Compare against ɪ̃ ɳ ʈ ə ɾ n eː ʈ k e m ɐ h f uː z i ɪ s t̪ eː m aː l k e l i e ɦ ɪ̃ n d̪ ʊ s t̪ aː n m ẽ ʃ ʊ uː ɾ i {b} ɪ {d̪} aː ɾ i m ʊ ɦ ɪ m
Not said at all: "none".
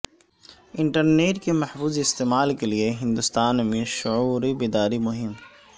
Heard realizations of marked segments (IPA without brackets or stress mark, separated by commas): b, d̪